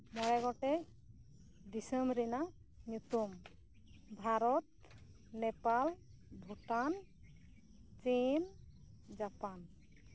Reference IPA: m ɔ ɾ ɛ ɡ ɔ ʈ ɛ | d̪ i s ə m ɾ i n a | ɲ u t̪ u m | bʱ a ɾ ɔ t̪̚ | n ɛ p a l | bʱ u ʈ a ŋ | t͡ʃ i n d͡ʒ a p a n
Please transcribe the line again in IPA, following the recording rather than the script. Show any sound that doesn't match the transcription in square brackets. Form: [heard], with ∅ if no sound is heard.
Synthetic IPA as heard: m ɔ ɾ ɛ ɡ ɔ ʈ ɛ | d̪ i s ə m ɾ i n a | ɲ u t̪ u m | bʱ a ɾ ɔ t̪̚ | n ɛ p a l | bʱ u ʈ a [n] | t͡ʃ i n d͡ʒ a p a n